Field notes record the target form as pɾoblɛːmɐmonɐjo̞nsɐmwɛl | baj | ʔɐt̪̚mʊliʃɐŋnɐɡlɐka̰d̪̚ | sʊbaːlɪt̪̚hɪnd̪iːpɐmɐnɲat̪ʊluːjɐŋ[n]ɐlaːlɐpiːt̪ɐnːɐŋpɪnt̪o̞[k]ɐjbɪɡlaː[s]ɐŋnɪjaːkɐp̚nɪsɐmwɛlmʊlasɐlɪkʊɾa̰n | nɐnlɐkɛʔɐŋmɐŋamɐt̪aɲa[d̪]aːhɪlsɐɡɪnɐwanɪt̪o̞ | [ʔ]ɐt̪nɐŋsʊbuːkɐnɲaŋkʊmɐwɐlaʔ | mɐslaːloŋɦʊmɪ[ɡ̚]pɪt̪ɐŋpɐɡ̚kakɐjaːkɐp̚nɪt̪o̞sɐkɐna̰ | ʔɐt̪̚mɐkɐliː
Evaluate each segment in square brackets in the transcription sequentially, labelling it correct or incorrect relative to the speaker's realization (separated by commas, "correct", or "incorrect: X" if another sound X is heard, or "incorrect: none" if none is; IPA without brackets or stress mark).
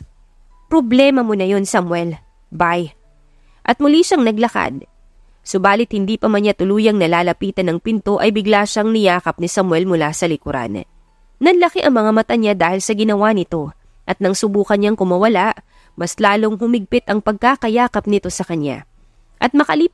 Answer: correct, incorrect: ʔ, incorrect: ʃ, correct, correct, correct